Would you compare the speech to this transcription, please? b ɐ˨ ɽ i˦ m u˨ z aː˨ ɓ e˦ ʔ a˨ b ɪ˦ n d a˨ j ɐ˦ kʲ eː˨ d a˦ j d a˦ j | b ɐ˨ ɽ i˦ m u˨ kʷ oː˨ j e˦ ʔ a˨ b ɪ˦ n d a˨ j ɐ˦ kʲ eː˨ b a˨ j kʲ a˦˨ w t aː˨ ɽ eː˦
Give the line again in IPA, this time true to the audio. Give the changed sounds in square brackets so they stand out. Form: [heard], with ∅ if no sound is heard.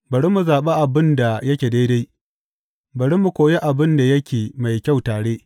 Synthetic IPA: b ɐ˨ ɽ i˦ m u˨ z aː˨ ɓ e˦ ʔ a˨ b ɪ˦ n d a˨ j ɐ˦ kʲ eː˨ d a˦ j d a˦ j | b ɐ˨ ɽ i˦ m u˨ kʷ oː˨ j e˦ ʔ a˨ b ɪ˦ n d a˨ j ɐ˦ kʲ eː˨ [m] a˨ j kʲ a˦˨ w t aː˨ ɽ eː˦